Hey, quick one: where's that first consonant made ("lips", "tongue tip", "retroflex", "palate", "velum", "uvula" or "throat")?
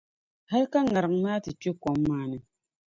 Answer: throat